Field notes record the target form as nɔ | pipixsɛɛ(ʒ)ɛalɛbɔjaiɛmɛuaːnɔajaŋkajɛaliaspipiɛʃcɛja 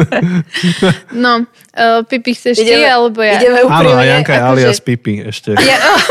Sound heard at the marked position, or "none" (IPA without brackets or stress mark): ʃ